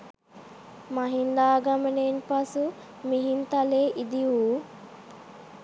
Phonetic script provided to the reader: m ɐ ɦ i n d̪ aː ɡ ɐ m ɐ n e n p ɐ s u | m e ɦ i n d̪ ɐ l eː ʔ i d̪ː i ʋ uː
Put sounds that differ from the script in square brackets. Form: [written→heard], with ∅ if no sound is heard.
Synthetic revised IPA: m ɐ ɦ i n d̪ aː ɡ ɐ m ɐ n e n p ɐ s u | m [e→i] ɦ i n [d̪→t̪] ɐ l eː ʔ i [d̪ː→d̪] i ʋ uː